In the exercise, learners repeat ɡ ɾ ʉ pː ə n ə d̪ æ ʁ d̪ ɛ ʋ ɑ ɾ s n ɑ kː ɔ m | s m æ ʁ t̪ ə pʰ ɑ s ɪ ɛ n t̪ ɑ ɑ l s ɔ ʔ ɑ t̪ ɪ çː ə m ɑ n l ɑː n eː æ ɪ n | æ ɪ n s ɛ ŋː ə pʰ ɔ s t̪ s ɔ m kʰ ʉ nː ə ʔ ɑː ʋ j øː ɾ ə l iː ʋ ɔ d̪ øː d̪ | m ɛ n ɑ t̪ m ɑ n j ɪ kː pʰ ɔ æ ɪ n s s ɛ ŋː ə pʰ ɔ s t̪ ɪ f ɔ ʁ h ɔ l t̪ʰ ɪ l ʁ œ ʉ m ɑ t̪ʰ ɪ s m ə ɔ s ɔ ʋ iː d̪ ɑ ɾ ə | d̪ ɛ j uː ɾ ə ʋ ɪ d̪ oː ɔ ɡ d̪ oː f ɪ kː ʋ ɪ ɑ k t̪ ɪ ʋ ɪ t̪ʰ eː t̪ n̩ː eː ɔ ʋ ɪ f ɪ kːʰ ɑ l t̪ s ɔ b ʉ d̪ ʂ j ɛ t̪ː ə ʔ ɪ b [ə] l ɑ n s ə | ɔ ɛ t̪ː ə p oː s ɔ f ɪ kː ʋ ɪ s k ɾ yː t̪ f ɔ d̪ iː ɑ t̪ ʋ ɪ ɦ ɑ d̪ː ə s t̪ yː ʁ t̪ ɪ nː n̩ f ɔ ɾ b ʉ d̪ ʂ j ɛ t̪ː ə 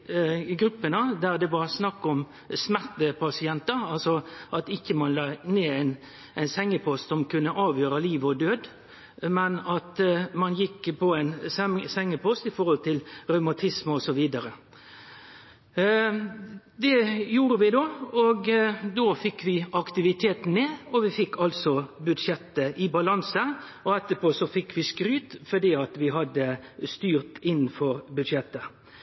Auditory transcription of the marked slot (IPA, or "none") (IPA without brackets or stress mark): ɑ